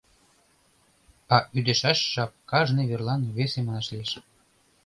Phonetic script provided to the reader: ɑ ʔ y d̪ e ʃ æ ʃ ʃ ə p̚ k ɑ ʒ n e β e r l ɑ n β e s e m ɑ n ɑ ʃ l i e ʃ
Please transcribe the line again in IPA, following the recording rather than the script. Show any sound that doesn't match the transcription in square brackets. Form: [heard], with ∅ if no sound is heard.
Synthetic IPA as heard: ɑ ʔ y d̪ e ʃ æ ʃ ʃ [ɑ] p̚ k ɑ ʒ n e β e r l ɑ n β e s e m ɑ n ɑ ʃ l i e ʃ